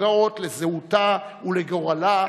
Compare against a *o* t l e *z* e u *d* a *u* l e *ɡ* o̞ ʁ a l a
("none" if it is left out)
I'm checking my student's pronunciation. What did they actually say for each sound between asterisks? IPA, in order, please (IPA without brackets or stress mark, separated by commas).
o, z, t, u, ɡ